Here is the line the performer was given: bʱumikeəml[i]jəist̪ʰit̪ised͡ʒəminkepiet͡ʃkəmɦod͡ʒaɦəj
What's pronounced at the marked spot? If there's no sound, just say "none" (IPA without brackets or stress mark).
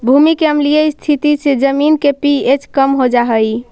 i